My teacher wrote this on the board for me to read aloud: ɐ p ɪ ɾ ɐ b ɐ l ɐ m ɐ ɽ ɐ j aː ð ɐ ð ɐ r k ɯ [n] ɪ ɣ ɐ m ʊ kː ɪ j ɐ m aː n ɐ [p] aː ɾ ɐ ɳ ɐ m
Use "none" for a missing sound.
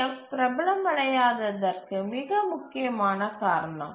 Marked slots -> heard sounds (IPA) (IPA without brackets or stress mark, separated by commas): m, k